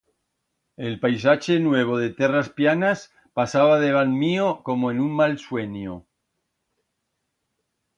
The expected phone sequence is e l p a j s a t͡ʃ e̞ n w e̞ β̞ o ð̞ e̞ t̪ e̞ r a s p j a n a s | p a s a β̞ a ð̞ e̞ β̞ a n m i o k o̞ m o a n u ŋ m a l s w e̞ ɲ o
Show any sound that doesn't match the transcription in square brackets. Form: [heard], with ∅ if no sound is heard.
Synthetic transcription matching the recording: e l p a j s a t͡ʃ e̞ n w e̞ β̞ o ð̞ e̞ t̪ e̞ r a s p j a n a s | p a s a β̞ a ð̞ e̞ β̞ a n m i o k o̞ m o [e] n u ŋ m a l s w e̞ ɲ o